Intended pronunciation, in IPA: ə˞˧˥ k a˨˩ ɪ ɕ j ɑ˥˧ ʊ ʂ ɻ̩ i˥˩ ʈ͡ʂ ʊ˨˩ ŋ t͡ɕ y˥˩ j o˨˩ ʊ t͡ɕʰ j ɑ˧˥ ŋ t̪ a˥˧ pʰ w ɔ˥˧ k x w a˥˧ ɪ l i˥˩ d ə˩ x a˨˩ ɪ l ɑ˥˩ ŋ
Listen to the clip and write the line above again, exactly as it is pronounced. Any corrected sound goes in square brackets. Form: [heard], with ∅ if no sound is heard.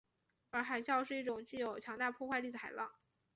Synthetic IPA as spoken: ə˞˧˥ [x] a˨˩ ɪ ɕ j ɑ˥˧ ʊ ʂ ɻ̩ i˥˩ ʈ͡ʂ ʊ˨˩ ŋ t͡ɕ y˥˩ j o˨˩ ʊ t͡ɕʰ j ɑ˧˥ ŋ t̪ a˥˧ pʰ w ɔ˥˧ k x w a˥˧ ɪ l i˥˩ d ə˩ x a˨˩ ɪ l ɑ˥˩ ŋ